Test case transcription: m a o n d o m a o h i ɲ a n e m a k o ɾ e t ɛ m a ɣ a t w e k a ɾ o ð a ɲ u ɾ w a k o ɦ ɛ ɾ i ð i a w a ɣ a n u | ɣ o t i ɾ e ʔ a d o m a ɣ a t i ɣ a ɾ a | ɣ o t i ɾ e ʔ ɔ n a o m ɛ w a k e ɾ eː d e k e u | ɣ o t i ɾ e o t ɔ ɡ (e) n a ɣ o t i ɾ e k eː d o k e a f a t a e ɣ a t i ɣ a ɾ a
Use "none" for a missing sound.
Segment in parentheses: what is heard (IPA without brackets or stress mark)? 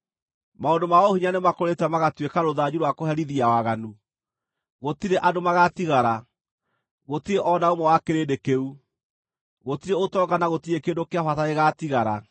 a